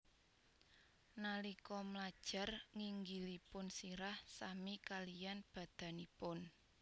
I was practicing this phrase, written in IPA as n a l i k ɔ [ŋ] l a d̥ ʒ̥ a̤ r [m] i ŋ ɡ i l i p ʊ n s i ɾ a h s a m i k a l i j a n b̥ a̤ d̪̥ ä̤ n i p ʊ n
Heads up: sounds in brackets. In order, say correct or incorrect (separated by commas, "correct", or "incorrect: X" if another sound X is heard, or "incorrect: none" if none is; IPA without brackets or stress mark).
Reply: incorrect: m, incorrect: ŋ